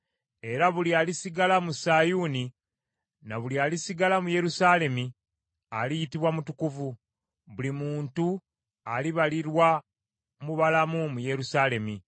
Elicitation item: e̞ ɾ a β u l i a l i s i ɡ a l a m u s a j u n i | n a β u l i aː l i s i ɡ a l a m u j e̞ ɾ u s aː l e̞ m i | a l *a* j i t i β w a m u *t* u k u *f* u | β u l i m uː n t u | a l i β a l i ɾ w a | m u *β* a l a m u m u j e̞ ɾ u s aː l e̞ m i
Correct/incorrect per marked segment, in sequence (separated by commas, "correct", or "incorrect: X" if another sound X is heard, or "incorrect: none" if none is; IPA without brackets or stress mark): incorrect: i, correct, incorrect: v, correct